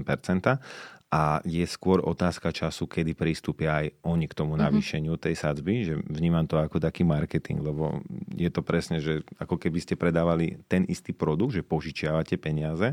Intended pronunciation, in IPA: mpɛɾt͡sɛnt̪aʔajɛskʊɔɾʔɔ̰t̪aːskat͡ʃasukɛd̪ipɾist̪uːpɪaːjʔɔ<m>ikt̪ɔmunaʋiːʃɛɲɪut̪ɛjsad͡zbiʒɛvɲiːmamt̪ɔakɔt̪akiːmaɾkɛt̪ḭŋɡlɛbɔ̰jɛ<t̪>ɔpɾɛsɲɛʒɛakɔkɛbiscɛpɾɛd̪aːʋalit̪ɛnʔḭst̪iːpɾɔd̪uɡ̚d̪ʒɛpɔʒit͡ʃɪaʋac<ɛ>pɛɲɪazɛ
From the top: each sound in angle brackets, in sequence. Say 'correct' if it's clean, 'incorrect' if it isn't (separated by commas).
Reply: incorrect, correct, correct